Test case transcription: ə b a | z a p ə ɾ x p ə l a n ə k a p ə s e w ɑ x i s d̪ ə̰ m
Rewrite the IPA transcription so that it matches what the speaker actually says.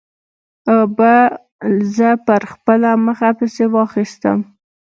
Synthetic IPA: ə b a | z ə p ə ɾ x p ə l a m ə x a p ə s e w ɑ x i s t̪ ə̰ m